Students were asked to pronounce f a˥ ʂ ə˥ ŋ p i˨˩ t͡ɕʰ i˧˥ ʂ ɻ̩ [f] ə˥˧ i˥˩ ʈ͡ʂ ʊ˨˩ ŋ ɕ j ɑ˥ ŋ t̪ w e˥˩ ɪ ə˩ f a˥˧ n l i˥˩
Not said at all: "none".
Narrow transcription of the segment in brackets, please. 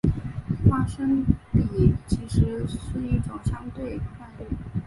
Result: ʂ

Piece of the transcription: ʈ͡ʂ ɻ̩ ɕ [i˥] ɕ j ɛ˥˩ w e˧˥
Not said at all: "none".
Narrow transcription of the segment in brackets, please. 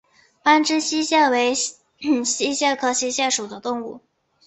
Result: i˥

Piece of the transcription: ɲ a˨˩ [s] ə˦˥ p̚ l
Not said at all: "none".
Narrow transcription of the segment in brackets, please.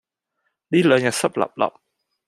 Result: s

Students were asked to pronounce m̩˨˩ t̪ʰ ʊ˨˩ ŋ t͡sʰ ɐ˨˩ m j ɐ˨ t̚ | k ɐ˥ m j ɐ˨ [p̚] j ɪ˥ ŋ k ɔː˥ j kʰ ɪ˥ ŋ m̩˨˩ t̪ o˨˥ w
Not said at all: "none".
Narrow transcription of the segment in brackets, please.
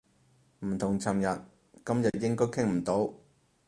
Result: t̚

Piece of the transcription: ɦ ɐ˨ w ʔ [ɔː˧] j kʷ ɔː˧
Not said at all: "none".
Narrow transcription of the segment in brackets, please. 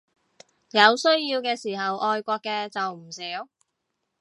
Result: ɔː˧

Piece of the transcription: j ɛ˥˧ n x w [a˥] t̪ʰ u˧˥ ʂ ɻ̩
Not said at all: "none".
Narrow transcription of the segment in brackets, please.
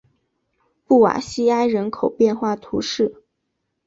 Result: a˥˩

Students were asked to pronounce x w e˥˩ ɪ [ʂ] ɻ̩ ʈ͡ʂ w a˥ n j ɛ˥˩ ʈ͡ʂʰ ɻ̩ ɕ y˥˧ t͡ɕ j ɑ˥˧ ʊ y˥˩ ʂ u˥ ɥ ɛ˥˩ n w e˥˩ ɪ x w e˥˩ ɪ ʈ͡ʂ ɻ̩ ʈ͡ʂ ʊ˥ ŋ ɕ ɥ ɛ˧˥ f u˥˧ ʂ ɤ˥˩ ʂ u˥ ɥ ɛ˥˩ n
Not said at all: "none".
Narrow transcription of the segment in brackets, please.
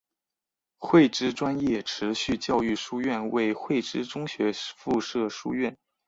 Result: ʈ͡ʂ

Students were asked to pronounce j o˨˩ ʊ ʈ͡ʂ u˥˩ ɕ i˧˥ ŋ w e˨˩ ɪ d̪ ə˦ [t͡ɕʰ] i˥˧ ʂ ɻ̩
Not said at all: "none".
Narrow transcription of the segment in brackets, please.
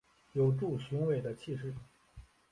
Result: t͡ɕʰ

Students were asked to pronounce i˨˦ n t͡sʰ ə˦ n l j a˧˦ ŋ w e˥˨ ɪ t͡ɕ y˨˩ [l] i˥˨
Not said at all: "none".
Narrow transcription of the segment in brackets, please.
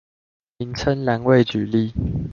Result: l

